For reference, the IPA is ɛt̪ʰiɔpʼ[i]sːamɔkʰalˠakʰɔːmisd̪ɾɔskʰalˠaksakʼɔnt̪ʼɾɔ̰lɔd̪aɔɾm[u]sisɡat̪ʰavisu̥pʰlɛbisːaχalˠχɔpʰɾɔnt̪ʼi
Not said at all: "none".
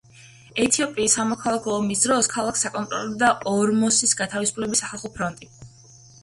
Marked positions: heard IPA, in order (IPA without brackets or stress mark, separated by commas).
iː, ɔ